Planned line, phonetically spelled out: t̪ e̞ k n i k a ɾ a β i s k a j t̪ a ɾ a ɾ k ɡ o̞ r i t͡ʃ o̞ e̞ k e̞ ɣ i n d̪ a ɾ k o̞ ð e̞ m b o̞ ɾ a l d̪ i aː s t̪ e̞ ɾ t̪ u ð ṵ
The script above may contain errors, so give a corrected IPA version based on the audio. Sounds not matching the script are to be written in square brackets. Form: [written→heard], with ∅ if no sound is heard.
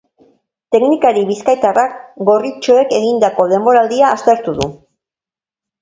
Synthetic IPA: t̪ e̞ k n i k a ɾ [a→i] β i s k a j t̪ a [ɾ→r] a [ɾ→∅] k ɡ o̞ r i t͡ʃ o̞ e̞ k e̞ ɣ i n d̪ a [ɾ→∅] k o̞ ð e̞ m b o̞ ɾ a l d̪ i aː s t̪ e̞ ɾ t̪ u ð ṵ